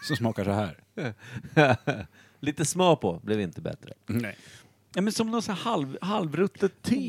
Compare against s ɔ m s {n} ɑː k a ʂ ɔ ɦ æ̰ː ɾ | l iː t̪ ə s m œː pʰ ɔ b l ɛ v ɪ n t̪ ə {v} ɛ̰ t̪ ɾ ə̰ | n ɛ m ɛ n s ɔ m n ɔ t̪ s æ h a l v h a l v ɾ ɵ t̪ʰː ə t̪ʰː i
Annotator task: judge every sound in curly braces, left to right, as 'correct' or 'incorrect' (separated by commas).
incorrect, incorrect